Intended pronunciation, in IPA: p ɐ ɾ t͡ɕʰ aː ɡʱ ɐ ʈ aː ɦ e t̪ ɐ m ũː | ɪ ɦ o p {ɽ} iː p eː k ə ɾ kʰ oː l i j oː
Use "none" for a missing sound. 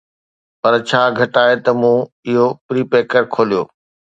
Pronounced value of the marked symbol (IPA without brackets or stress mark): ɾ